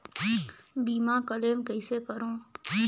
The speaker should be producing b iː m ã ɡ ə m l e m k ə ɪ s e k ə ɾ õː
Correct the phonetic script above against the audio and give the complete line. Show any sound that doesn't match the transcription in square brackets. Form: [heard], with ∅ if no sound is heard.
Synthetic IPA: b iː m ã [k] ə [∅] l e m k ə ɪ s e k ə ɾ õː

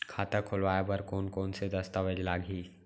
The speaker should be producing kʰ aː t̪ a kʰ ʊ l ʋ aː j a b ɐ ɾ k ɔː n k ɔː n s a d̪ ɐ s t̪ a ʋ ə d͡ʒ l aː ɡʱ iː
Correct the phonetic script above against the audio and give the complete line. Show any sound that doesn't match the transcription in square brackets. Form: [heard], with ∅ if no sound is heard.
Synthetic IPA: kʰ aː t̪ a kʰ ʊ l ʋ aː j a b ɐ ɾ k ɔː n k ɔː n s [e] d̪ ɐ s t̪ a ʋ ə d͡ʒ l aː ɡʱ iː

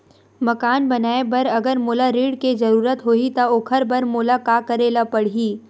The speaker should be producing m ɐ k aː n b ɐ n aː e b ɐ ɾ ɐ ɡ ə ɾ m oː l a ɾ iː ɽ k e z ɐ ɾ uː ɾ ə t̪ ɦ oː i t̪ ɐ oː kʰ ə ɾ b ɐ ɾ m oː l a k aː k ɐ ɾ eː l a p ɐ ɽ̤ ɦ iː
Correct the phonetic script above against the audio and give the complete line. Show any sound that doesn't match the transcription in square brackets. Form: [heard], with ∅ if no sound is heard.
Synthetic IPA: m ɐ k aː n b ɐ n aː e b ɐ ɾ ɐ ɡ ə ɾ m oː l a ɾ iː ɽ k e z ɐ ɾ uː ɾ ə t̪ ɦ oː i t̪ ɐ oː kʰ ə ɾ b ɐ ɾ m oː l a k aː k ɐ ɾ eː l a p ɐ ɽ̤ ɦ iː

